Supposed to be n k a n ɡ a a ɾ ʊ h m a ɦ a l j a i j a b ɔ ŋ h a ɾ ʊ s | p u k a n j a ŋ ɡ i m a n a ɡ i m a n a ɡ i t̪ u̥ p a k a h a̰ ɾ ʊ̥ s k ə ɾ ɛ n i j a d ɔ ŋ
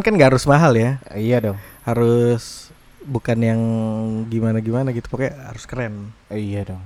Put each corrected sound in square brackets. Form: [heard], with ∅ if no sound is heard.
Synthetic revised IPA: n k a n ɡ a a ɾ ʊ [s] m a ɦ a l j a i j a [d] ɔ ŋ h a ɾ ʊ s | [b] u k a n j a ŋ ɡ i m a n a ɡ i m a n a ɡ i t̪ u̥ p a k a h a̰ ɾ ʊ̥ s k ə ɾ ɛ n i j a d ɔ ŋ